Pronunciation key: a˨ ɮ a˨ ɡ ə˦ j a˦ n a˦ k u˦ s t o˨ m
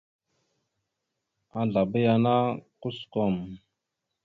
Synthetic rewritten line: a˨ ɮ a˨ b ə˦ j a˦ n a˦ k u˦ s k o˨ m